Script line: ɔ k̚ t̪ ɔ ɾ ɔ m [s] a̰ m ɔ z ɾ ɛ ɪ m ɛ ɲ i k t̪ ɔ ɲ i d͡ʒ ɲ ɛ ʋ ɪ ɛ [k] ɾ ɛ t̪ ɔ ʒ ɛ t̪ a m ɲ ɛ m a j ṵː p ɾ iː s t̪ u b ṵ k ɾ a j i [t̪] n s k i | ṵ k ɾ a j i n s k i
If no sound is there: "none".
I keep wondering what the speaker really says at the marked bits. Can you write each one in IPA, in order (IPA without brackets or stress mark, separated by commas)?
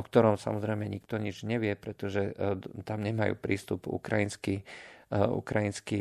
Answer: s, p, none